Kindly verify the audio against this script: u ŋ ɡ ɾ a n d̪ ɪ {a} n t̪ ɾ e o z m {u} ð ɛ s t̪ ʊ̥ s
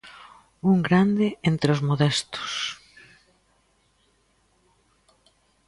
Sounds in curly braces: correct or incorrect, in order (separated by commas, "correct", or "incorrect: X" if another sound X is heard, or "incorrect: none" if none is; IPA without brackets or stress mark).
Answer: incorrect: e, incorrect: o